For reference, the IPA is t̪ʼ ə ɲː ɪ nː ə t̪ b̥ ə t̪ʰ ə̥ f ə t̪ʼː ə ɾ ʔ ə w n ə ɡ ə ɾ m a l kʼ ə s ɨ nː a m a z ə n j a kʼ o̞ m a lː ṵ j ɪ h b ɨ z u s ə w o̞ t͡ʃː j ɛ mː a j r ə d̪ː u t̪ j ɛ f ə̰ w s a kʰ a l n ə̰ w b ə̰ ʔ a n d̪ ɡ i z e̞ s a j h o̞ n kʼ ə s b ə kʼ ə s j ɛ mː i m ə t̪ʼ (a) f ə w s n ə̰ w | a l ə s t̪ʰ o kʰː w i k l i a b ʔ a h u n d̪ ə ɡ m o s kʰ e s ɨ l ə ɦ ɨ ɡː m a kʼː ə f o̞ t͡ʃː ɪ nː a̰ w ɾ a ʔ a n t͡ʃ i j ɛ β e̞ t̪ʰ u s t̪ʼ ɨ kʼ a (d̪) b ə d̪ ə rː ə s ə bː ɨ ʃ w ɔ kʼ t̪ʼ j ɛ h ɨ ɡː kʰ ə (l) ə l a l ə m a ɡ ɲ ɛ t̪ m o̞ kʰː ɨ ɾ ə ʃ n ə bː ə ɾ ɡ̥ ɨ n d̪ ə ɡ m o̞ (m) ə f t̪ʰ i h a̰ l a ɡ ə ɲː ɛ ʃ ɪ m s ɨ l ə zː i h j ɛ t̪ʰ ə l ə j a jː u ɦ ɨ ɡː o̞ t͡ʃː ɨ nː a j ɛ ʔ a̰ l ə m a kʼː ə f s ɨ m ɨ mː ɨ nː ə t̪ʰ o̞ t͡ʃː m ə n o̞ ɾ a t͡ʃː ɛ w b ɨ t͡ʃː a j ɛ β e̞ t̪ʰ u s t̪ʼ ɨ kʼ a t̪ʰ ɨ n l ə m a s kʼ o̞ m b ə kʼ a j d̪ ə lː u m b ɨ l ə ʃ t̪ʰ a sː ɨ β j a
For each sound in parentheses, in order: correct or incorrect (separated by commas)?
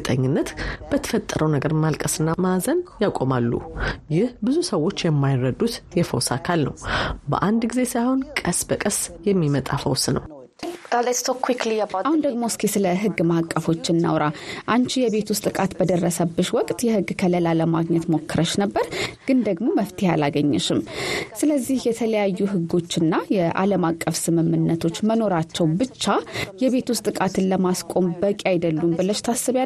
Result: correct, incorrect, correct, correct